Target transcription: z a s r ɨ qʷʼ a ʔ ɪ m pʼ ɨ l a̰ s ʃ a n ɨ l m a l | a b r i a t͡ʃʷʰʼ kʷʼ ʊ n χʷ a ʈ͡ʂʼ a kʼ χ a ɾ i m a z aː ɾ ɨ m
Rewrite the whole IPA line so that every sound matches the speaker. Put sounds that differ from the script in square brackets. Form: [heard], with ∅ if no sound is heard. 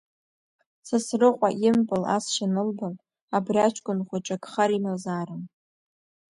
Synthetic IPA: [s] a s r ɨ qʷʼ a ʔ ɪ m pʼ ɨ l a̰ s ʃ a n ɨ l [b] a l | a b r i a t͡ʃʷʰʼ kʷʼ ʊ n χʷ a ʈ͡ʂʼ a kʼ χ a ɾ i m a z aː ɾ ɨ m